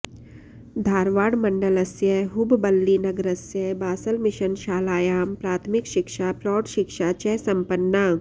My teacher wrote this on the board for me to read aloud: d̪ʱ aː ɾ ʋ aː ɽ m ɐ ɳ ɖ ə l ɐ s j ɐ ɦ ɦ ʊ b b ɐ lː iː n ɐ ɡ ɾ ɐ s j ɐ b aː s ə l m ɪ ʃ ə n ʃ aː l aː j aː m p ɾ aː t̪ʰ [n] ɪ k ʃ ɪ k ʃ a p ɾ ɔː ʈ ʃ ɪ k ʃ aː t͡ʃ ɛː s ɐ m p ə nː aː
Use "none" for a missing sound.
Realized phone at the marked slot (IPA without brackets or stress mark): m